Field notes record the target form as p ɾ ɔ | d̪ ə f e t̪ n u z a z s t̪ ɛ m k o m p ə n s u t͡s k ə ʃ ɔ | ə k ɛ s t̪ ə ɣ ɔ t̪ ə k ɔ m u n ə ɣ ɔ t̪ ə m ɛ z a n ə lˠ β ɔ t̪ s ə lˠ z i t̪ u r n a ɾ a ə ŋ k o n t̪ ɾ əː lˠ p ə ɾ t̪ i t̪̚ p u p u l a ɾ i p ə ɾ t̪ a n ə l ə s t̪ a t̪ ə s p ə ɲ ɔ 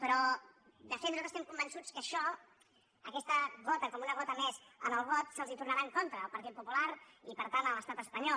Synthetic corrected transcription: p ɾ ɔ | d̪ ə f e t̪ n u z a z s t̪ ɛ m k u m b ə n s u t͡s k ə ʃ ɔ | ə k ɛ s t̪ ə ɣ ɔ t̪ ə k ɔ m u n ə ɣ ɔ t̪ ə m ɛ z ə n ə lˠ β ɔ t̪ s ə lˠ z i t̪ u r n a ɾ a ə ŋ k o n t̪ ɾ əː lˠ p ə ɾ t̪ i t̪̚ p u p u l a ɾ i p ə ɾ t̪ a n ə l ə s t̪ a t̪ ə s p ə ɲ ɔ